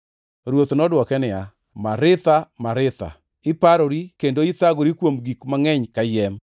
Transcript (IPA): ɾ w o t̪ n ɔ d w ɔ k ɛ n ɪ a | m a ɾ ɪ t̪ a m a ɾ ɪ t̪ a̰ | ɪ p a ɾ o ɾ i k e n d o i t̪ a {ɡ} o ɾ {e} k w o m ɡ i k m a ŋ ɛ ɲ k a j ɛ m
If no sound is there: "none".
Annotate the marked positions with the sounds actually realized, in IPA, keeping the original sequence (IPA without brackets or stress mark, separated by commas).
ɡ, i